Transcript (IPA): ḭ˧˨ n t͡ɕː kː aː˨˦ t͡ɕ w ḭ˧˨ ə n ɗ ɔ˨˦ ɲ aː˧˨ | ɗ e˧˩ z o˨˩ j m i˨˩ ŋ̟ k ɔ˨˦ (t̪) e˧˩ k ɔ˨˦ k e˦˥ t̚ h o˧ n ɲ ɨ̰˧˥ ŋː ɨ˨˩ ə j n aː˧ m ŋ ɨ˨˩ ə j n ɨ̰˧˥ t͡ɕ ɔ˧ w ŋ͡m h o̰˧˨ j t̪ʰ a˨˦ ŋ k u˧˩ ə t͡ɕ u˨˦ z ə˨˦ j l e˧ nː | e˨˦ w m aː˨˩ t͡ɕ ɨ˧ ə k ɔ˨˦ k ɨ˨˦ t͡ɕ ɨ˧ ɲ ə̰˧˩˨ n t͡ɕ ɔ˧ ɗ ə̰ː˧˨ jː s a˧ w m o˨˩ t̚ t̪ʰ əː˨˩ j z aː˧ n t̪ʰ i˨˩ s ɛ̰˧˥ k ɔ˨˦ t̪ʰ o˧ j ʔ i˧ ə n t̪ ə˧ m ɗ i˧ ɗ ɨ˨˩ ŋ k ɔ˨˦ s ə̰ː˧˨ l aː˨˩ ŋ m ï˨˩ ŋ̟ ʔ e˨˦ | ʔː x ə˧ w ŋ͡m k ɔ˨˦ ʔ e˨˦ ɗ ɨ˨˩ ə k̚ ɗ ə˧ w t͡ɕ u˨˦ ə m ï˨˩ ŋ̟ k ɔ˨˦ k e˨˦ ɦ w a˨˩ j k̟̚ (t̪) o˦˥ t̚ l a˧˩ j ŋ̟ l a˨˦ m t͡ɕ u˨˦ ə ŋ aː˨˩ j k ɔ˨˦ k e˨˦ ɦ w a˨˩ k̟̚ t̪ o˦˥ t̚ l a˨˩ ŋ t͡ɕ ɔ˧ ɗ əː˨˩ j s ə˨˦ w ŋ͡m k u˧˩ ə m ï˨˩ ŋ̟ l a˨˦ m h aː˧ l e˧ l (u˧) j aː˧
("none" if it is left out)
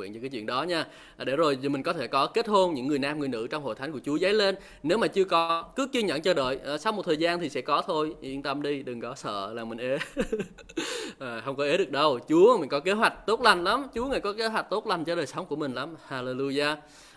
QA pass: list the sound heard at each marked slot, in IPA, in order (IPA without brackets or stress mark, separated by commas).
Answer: t̪ʰ, t̪, u˧